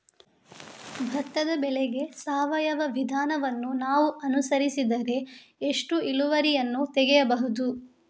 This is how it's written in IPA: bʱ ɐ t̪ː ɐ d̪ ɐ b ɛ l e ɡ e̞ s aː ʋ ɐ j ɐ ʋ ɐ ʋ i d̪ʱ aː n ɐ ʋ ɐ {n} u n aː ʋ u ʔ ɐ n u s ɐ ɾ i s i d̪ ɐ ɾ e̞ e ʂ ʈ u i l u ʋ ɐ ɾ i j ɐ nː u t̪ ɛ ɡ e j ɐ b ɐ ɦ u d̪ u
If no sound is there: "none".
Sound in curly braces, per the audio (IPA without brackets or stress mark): nː